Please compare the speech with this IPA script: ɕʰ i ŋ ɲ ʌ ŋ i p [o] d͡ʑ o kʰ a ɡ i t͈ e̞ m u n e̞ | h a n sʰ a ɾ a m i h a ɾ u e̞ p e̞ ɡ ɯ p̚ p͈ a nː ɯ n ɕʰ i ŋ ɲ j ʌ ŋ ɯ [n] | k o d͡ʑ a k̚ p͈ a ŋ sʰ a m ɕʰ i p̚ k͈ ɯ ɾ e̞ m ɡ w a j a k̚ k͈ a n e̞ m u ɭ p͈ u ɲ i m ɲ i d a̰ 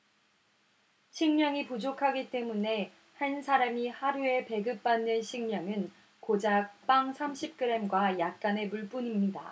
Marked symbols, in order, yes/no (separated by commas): no, yes